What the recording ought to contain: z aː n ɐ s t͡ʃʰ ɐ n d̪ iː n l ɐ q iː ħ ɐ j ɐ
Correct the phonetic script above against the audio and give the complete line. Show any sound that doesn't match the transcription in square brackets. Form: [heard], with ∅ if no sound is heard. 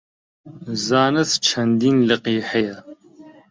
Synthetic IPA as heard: z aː n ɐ s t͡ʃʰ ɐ n d̪ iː n l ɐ q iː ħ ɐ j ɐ